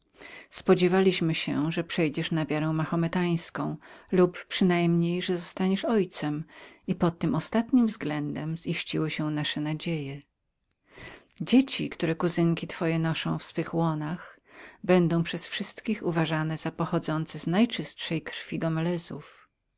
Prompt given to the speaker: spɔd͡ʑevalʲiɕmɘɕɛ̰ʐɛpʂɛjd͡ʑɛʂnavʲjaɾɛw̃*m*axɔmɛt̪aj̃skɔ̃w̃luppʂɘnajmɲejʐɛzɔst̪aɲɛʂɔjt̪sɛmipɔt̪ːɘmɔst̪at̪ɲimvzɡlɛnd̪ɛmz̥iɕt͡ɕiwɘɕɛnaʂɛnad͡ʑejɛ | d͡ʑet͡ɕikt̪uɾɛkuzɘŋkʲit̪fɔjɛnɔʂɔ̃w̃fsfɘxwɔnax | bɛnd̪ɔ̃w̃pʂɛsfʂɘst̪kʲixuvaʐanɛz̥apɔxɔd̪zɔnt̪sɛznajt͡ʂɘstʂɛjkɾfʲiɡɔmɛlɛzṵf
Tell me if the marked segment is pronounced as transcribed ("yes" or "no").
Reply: yes